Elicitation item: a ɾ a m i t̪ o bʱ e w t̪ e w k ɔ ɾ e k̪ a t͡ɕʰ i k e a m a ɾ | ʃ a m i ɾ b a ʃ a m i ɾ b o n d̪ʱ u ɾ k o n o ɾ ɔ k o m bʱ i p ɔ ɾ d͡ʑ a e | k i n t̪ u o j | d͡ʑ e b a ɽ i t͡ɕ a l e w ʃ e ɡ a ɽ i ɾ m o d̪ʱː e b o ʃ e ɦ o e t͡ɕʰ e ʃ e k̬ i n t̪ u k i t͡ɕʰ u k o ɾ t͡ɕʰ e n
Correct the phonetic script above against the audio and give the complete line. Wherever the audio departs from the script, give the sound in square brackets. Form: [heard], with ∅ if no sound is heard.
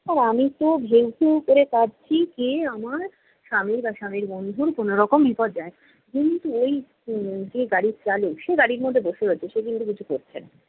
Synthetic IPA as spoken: a ɾ a m i t̪ o bʱ e w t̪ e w k [o] ɾ e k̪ a t͡ɕʰ i k e a m a ɾ | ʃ a m i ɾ b a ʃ a m i ɾ b o n d̪ʱ u ɾ k o n o ɾ ɔ k o m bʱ i p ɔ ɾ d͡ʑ a e | k i n t̪ u o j | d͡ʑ e [ɡ] a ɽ i t͡ɕ a l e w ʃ e ɡ a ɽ i ɾ m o d̪ʱː e b o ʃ e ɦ o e t͡ɕʰ e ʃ e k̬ i n t̪ u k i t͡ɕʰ u k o ɾ t͡ɕʰ e n